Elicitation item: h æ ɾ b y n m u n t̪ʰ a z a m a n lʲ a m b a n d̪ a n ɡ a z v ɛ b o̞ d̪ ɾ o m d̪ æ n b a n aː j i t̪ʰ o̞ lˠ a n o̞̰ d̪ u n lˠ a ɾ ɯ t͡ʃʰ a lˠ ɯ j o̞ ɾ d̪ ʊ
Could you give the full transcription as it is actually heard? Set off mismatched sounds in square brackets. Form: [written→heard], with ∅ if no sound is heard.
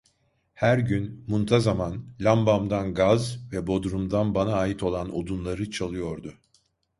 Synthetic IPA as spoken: h æ ɾ [b→ɟ] y n m u n t̪ʰ a z a m a n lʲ a m b a [n→m] d̪ a n ɡ a z v ɛ b o̞ d̪ ɾ [o→u] m d̪ [æ→a] n b a n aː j i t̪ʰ o̞ lˠ a n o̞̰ d̪ u n lˠ a ɾ ɯ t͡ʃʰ a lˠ ɯ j o̞ ɾ d̪ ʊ